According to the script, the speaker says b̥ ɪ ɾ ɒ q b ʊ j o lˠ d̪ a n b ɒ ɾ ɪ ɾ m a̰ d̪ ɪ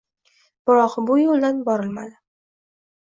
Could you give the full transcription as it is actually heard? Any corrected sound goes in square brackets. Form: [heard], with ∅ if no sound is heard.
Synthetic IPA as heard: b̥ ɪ ɾ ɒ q b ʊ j o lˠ d̪ a n b ɒ ɾ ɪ [l] m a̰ d̪ ɪ

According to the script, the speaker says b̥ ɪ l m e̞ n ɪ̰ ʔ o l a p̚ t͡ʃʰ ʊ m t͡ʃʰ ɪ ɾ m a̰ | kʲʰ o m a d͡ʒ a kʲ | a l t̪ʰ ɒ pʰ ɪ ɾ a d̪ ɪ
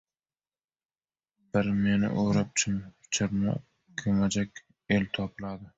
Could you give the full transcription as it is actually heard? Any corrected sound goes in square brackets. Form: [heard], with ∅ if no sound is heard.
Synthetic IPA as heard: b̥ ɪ [ɾ] m e̞ n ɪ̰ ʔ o [ɾ] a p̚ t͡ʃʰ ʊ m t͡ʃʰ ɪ ɾ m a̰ | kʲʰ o m a d͡ʒ a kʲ | [e] l t̪ʰ ɒ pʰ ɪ [l] a d̪ ɪ

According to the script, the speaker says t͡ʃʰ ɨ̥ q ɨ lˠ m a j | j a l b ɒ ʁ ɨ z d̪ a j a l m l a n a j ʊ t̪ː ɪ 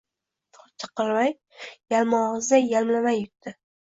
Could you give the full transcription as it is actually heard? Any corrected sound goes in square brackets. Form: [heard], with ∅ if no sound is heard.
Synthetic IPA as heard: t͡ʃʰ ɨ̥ q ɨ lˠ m a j | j a l [m] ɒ ʁ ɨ z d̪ a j a l m l a [m] a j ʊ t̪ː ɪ

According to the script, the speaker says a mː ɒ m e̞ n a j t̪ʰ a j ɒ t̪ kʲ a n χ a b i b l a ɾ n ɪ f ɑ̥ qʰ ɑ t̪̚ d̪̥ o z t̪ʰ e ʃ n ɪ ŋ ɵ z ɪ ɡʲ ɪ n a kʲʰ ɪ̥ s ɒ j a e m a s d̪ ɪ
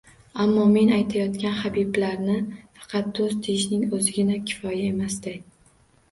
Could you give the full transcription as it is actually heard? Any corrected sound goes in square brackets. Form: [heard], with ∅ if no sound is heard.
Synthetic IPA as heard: a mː ɒ m e̞ n a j t̪ʰ a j ɒ t̪ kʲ a n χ a b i b l a ɾ n ɪ f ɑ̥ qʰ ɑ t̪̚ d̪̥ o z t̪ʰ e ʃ n ɪ ŋ ɵ z ɪ ɡʲ ɪ n a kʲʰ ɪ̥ [f] ɒ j a e m a s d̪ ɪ

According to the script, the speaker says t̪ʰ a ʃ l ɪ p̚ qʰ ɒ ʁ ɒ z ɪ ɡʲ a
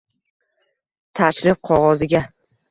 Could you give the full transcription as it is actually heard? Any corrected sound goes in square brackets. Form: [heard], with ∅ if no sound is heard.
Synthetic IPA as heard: t̪ʰ a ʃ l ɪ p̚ qʰ ɒ ʁ ɒ z ɪ ɡʲ a

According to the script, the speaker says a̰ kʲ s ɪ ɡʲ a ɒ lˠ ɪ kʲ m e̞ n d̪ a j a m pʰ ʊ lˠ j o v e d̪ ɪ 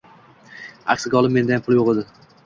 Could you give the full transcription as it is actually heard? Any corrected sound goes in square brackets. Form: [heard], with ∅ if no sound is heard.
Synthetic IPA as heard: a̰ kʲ s ɪ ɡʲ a ɒ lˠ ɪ [∅] m e̞ n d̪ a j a m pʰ ʊ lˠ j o [ʁ] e d̪ ɪ

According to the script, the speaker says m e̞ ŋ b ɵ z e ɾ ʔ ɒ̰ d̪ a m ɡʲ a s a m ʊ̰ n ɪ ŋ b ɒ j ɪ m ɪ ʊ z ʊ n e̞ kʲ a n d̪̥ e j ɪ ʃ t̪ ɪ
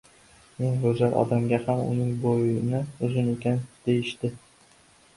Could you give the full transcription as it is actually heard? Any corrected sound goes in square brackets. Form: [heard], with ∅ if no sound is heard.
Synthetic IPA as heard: m e̞ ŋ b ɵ z [a] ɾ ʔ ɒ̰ d̪ a m ɡʲ a [h] a m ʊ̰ n ɪ ŋ b [o] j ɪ [n] ɪ ʊ z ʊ n e̞ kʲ a n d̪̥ e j ɪ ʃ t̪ ɪ

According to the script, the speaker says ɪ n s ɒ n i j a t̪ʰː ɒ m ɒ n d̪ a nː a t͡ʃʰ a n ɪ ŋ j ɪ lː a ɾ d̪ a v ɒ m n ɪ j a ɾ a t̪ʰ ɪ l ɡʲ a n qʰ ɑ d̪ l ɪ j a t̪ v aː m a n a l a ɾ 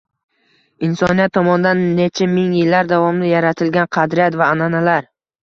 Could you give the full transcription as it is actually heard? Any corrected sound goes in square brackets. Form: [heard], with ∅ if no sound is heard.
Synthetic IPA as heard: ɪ n s ɒ n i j a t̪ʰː ɒ m ɒ n d̪ a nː [e] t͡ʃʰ a [m] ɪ ŋ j ɪ lː a ɾ d̪ a v ɒ m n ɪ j a ɾ a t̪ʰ ɪ l ɡʲ a n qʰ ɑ d̪ [ɾ] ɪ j a t̪ v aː [n] a n a l a ɾ

